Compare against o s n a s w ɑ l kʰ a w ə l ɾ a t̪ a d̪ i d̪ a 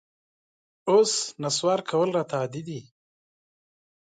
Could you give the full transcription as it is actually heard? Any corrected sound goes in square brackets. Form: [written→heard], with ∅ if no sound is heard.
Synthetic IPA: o s n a s w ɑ [l→ɾ] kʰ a w ə l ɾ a t̪ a d̪ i d̪ [a→i]